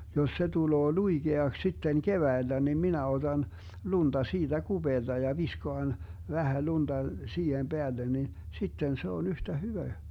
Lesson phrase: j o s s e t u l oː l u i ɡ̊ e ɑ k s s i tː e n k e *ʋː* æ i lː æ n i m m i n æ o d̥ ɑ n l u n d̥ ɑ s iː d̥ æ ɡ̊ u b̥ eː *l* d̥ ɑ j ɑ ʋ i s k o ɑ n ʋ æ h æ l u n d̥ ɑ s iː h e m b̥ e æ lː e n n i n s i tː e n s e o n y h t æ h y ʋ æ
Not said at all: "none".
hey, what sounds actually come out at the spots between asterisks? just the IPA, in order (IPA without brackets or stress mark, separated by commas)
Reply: ʋ, l